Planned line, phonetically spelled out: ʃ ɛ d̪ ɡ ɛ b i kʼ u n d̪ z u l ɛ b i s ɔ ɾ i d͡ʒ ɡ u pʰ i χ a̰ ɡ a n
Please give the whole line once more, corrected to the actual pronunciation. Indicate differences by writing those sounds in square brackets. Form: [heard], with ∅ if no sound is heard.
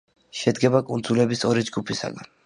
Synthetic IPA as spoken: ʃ ɛ d̪ ɡ ɛ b [a] kʼ u n d̪ z u l ɛ b i s ɔ ɾ i d͡ʒ ɡ u pʰ i [s] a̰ ɡ a n